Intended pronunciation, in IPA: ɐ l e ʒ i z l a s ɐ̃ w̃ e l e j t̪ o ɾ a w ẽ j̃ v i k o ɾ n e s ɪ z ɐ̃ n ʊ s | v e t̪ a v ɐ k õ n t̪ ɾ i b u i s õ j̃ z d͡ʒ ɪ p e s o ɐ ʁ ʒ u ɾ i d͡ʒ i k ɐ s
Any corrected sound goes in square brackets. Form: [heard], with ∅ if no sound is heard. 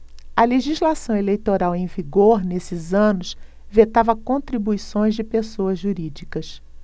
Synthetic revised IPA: ɐ l e ʒ i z l a s ɐ̃ w̃ e l e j t̪ o ɾ a w ẽ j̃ v i [ɡ] o ɾ n e s ɪ z ɐ̃ n ʊ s | v e t̪ a v ɐ k õ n t̪ ɾ i b u i s õ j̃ z d͡ʒ ɪ p e s o ɐ [z] ʒ u ɾ i d͡ʒ i k ɐ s